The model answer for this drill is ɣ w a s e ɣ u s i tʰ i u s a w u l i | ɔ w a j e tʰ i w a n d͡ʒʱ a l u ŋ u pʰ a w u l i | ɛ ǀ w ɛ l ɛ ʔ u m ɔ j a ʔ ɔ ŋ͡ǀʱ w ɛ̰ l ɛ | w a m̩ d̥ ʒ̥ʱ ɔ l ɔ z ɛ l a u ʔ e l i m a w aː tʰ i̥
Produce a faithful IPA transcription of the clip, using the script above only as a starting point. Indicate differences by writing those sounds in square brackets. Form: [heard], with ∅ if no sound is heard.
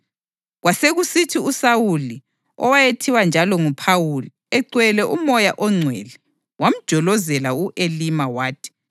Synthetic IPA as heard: ɣ w a s e ɣ u s i tʰ i u s a w u l i | ɔ w a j e tʰ i w a n d͡ʒʱ a l [ɔ] ŋ u pʰ a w u l i | ɛ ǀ w ɛ l ɛ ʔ u m ɔ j a ʔ ɔ ŋ͡ǀʱ w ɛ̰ l ɛ | w a m̩ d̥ ʒ̥ʱ ɔ l ɔ z ɛ l a u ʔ e l i m a w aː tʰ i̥